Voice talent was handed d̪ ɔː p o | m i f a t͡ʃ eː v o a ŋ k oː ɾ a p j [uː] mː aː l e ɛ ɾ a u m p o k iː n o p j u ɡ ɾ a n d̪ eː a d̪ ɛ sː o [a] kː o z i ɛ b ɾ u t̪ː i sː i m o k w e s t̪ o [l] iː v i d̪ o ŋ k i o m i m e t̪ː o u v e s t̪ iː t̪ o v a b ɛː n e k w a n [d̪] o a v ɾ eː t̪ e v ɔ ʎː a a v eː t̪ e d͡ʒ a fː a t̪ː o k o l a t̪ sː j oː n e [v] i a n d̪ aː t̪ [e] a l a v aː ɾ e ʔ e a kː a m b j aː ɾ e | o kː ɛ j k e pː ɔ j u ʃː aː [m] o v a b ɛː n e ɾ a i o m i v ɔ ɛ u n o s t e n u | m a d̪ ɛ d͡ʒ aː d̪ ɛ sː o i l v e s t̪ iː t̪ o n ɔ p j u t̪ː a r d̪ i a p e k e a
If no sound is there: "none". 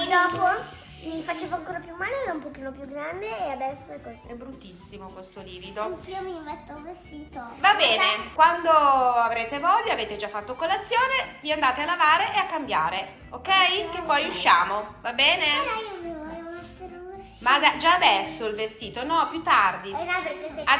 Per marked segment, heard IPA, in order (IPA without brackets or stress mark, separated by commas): u, ɛ, l, d̪, v, e, m